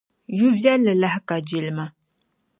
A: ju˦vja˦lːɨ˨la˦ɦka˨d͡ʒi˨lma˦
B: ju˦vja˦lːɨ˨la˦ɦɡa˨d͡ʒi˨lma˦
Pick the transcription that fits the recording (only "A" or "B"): A